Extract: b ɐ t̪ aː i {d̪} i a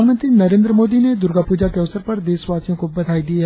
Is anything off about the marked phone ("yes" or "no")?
no